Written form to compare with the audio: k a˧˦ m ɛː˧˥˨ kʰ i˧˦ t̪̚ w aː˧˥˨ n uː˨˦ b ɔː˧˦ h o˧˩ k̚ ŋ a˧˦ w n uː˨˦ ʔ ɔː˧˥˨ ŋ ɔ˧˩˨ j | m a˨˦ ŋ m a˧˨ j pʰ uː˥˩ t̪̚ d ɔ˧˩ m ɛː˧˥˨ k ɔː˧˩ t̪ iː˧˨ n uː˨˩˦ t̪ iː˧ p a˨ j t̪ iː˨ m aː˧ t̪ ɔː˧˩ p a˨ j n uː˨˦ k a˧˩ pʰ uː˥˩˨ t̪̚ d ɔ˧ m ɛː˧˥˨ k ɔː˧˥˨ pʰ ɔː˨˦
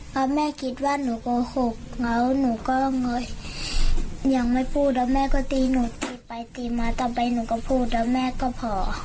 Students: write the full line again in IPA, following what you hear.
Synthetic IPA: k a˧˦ m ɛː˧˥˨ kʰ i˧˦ t̪̚ w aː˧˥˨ n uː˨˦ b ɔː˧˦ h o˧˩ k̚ ŋ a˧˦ w n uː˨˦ k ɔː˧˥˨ ŋ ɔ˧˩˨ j | ɲ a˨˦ ŋ m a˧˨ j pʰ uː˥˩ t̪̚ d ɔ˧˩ m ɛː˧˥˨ k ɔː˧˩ t̪ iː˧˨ n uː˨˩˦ t̪ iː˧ p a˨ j t̪ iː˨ m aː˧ t̪ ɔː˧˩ p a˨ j n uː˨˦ k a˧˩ pʰ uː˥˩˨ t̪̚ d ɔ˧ m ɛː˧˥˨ k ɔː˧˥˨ pʰ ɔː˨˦